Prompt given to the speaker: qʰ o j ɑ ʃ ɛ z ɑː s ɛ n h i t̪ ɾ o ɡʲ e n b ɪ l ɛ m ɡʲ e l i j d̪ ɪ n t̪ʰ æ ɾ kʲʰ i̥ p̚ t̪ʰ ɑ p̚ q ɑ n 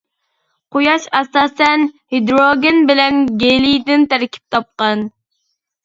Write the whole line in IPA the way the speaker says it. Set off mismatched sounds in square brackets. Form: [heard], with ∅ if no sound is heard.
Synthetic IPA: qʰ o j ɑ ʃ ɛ [s] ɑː s ɛ n h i [d̪] ɾ o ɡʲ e n b ɪ l ɛ [n] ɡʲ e l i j d̪ ɪ n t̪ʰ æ ɾ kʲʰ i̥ p̚ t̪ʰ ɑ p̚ q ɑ n